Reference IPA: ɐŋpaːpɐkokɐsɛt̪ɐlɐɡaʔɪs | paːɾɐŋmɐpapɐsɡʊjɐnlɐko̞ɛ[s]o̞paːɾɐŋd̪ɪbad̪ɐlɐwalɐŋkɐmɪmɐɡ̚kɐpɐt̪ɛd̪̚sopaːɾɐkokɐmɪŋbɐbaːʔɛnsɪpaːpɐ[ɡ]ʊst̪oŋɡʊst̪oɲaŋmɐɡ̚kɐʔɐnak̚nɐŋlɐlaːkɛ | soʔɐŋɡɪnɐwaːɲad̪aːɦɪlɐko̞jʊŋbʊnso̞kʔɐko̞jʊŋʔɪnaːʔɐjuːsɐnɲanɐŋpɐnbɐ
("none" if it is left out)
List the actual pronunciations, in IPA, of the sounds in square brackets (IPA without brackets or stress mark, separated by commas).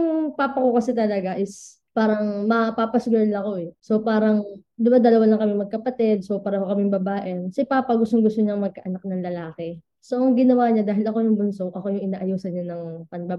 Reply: s, ɡ